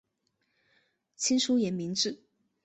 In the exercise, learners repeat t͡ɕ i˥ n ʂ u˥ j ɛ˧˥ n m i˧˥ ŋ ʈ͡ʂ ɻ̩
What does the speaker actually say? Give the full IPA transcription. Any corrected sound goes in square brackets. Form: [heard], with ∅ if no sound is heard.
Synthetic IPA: [t͡ɕʰ] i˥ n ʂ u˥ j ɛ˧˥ n m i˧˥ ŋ ʈ͡ʂ ɻ̩